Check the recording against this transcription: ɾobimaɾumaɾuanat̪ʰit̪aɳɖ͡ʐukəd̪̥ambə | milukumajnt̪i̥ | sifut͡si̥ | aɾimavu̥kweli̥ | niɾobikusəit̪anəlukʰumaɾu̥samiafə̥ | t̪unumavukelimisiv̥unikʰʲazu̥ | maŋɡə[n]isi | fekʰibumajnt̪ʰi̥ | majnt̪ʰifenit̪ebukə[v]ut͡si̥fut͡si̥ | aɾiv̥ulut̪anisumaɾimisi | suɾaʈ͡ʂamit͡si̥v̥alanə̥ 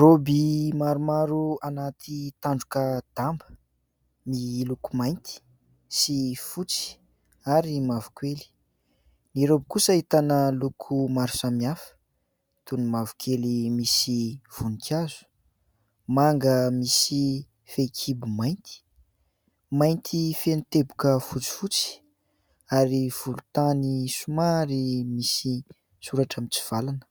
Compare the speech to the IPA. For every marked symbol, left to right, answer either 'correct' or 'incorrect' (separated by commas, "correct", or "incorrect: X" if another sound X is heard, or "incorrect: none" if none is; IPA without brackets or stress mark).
incorrect: m, incorrect: f